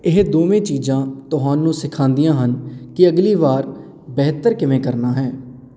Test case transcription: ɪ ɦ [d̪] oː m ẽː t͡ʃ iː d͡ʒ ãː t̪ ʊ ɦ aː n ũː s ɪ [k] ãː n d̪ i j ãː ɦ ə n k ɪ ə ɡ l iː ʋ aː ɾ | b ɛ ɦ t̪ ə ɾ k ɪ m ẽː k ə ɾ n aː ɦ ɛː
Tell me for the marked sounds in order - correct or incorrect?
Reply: correct, incorrect: kʰ

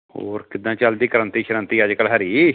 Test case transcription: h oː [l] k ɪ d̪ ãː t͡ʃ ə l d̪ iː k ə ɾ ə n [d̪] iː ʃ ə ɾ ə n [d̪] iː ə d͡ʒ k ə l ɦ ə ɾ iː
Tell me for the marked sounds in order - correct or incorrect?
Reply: incorrect: ɾ, incorrect: t̪, incorrect: t̪

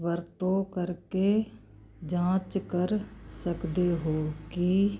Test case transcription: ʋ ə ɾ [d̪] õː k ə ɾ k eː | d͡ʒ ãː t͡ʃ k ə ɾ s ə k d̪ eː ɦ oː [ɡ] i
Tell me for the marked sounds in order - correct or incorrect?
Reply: incorrect: t̪, incorrect: k

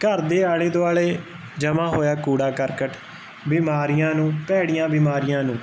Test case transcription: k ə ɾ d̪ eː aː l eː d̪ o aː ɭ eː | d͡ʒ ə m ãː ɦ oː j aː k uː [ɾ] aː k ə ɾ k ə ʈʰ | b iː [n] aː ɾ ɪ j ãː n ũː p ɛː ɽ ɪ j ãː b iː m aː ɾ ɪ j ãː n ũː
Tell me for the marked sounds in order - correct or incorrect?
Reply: incorrect: ɽ, incorrect: m

